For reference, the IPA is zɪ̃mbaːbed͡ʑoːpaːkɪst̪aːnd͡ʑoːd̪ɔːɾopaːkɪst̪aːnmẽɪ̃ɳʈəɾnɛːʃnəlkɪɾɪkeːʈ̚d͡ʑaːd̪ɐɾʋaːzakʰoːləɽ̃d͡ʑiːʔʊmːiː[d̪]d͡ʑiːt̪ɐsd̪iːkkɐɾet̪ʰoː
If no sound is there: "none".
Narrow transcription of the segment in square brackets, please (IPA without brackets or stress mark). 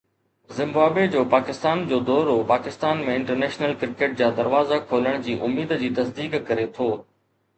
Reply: d̪